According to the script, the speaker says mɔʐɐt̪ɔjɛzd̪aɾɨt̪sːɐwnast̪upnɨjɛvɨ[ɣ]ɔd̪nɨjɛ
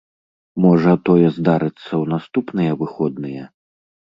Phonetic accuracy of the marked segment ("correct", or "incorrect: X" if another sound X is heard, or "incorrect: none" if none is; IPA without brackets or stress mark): incorrect: x